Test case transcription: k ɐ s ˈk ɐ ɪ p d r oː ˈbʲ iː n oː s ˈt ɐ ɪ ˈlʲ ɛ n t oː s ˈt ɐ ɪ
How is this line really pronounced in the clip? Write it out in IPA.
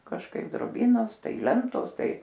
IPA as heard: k ɐ ʃ ˈk ɐ ɪ p d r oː ˈbʲ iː n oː s ˈt ɐ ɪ ˈlʲ ɛ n t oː s ˈt ɐ ɪ

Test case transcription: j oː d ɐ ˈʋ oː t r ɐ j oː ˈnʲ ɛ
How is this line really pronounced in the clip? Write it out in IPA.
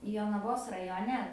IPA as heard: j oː n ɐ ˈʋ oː s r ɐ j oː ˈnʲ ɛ

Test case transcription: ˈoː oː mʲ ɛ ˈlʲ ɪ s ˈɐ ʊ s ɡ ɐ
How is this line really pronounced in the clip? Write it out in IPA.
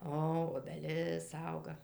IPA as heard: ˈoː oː bʲ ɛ ˈlʲ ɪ s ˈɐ ʊ ɡ ɐ

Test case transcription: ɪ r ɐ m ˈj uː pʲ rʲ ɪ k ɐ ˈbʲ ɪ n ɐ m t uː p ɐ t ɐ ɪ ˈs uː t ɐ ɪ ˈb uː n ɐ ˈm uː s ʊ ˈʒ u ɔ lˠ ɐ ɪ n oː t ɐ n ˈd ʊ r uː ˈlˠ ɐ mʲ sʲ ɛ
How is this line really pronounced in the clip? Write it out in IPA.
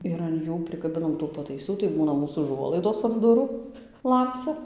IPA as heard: ɪ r ɐ n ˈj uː pʲ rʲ ɪ k ɐ ˈbʲ ɪ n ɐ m t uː p ɐ t ɐ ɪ ˈs uː t ɐ ɪ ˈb uː n ɐ ˈm uː s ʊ ˈʒ u ɔ lˠ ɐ ɪ d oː s ɐ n ˈd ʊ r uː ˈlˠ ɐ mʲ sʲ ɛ

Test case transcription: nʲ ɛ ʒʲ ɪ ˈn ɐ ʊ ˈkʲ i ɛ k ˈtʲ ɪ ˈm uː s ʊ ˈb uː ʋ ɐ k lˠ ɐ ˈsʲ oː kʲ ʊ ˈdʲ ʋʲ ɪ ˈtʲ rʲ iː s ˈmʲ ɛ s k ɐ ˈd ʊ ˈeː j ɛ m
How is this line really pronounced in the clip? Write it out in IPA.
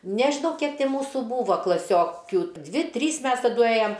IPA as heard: nʲ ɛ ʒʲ ɪ ˈn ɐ ʊ ˈkʲ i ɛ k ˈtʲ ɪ ˈm uː s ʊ ˈb uː ʋ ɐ k lˠ ɐ ˈsʲ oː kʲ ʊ ˈdʲ ʋʲ ɪ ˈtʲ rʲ iː s ˈmʲ ɛ s t ɐ ˈd ʊ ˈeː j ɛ m

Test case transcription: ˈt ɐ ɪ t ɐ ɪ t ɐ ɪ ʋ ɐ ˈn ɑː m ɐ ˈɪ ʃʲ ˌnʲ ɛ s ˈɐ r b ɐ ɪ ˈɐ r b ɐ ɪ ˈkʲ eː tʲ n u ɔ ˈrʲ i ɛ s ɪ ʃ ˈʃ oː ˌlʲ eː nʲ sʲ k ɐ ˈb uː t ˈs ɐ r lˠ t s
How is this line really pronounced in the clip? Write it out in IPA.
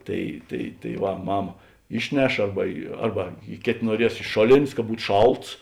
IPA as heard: ˈt ɐ ɪ t ɐ ɪ t ɐ ɪ ʋ ɐ ˈm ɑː m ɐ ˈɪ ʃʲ ˌnʲ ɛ ʃ ˈɐ r b ɐ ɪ ˈɐ r b ɐ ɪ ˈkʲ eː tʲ n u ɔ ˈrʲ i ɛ s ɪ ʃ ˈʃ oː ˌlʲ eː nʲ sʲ k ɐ ˈb uː t ˈʃ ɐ lˠ t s

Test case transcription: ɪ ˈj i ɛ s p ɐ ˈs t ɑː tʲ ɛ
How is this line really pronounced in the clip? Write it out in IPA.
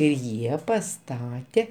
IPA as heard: ɪ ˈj i ɛ p ɐ ˈs t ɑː tʲ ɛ

